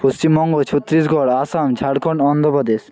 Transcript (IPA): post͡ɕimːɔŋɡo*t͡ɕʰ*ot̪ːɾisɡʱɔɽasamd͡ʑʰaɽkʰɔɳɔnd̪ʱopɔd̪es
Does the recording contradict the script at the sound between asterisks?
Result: no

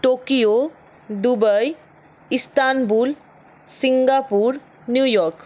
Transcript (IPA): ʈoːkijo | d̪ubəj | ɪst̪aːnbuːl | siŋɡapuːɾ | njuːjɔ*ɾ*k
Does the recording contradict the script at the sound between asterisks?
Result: no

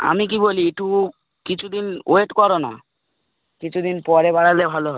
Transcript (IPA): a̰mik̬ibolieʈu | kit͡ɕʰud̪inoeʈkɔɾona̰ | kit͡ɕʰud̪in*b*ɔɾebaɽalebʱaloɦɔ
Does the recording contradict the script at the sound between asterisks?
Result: yes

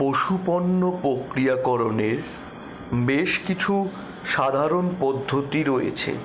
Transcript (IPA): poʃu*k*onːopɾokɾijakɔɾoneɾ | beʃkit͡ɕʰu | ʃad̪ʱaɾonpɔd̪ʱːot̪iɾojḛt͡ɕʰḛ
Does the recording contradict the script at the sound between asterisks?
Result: yes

